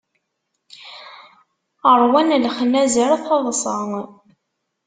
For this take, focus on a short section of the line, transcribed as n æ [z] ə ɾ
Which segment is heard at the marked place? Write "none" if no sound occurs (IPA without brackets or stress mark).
z